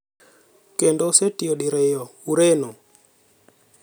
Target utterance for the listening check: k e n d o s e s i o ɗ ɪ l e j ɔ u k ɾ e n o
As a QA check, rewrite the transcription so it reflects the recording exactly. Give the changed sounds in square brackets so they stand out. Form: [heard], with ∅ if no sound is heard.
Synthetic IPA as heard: k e n d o s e [t] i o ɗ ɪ [ɾ] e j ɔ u [∅] ɾ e n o